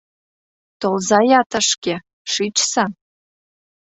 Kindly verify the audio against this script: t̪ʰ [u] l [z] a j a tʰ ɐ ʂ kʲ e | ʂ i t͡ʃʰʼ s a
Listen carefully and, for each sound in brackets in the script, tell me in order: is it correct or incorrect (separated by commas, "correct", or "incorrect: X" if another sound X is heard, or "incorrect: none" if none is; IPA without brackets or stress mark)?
incorrect: o, correct